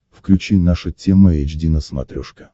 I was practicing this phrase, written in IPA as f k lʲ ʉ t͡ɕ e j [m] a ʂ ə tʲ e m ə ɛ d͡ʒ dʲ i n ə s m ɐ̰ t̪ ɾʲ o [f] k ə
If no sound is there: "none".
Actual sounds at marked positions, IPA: n, ʂ

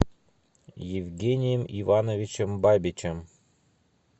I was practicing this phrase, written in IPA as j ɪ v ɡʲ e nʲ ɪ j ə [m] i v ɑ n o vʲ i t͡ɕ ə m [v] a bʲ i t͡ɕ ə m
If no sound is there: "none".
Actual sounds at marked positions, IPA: m, b

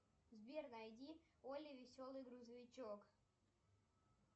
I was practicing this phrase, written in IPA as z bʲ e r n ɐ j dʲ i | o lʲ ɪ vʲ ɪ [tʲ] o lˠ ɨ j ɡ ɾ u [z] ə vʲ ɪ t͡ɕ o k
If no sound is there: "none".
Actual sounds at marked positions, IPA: sʲ, z

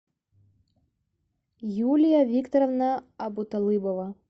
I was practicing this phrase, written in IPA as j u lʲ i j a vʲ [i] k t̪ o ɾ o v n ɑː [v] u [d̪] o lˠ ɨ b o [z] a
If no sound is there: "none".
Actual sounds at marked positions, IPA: i, b, t̪, v

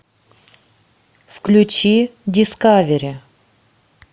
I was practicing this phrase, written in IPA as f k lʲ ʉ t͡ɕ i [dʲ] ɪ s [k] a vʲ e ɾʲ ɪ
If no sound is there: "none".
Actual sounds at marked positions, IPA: dʲ, k

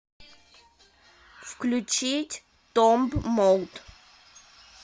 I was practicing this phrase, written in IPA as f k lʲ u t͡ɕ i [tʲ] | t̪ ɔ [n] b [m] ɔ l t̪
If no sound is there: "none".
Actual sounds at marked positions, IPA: tʲ, m, m

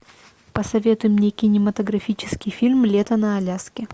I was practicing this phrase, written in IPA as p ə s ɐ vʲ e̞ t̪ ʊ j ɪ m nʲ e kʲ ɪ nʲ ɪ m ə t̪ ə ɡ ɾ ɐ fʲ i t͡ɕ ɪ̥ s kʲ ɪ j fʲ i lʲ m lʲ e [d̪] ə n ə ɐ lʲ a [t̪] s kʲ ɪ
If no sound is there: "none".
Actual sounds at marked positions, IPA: t̪, none

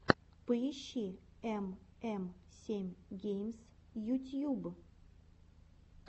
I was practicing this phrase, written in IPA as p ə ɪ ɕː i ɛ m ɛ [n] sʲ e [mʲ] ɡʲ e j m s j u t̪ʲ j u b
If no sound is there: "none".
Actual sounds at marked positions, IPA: m, mʲ

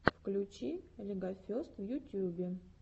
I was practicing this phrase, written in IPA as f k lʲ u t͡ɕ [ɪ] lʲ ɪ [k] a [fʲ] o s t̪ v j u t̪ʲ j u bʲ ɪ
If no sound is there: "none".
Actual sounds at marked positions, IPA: i, ɡ, fʲ

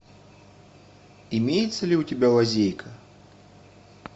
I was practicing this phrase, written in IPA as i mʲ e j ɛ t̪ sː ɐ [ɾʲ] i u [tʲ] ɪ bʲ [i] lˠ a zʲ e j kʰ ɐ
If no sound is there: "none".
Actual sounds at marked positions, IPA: lʲ, tʲ, a

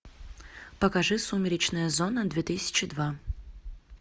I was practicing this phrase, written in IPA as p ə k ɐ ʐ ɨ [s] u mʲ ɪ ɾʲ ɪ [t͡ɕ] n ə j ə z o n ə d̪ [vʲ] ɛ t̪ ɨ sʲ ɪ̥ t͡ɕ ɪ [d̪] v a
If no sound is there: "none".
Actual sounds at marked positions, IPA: s, t͡ɕ, vʲ, d̪

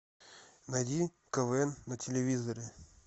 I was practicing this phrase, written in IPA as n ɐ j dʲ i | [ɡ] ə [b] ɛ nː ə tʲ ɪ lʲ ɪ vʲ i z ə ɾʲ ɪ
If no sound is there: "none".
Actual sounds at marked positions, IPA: k, v

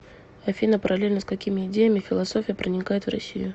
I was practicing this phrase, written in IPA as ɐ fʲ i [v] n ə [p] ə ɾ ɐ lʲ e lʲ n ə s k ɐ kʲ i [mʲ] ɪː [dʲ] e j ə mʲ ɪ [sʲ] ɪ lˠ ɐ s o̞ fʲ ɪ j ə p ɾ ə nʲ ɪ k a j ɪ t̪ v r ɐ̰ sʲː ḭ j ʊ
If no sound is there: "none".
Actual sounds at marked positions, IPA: none, p, mʲ, dʲ, fʲ

